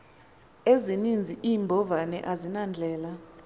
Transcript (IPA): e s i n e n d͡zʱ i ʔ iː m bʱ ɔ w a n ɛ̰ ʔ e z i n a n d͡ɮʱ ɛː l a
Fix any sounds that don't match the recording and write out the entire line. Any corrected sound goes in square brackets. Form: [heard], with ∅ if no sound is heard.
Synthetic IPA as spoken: e [z] i n [i] n d͡zʱ i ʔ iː m bʱ ɔ [v] a n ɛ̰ ʔ [a] z i n a n d͡ɮʱ ɛː l a